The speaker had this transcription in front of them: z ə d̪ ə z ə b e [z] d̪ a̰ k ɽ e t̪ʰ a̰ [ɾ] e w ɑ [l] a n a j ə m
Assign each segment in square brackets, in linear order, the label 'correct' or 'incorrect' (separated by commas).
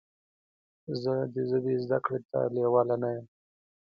correct, incorrect, correct